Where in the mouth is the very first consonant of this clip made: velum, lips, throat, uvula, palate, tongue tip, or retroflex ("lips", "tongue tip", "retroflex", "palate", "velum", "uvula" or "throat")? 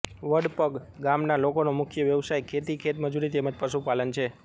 lips